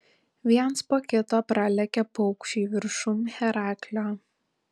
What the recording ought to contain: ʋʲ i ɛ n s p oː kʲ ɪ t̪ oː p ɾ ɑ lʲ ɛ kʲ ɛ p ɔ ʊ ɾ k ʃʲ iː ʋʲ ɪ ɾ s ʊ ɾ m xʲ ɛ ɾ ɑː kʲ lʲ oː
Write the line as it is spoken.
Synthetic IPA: ʋʲ i ɛ n s p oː kʲ ɪ t̪ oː p ɾ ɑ lʲ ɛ kʲ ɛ p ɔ ʊ k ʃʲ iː ʋʲ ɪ ɾ ʃ ʊ m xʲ ɛ ɾ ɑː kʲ lʲ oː